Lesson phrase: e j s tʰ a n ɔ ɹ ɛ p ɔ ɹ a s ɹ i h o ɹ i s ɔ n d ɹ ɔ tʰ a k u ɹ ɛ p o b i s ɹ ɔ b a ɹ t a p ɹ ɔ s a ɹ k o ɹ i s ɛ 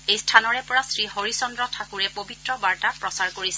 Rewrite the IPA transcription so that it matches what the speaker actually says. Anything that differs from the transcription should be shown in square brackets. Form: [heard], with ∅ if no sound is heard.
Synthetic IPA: e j s tʰ a n ɔ ɹ ɛ p ɔ ɹ a s ɹ i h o ɹ i s ɔ n d ɹ ɔ tʰ a k u ɹ ɛ p o b i [t] ɹ ɔ b a ɹ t a p ɹ ɔ s a ɹ k o ɹ i s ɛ